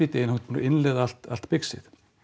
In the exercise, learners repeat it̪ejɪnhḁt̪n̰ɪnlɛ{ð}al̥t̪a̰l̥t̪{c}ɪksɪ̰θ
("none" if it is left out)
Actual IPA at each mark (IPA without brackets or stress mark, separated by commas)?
ð, p